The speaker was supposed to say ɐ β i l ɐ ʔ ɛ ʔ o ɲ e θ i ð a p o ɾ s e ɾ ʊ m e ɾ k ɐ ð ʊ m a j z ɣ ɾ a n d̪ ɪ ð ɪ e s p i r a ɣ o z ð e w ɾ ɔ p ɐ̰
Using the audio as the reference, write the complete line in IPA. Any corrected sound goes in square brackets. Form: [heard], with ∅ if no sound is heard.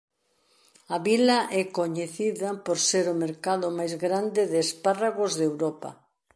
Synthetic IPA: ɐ β i l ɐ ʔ ɛ [k] o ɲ e θ i ð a p o ɾ s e ɾ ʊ m e ɾ k [a] ð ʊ m a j z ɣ ɾ a n d̪ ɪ ð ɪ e s p [a] r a ɣ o z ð e w ɾ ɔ p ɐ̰